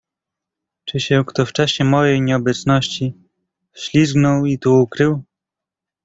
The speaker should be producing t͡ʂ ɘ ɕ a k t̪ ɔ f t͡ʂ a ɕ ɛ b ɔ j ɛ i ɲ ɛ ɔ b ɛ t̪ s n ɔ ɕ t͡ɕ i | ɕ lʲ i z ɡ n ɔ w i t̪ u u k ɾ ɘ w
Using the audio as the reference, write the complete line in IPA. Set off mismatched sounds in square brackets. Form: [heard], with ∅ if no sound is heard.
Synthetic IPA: t͡ʂ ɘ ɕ [ɛ] k t̪ ɔ f t͡ʂ a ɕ ɛ [m] ɔ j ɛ [j] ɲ ɛ ɔ b ɛ t̪ s n ɔ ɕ t͡ɕ i | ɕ lʲ i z ɡ n ɔ w i t̪ u u k ɾ ɘ w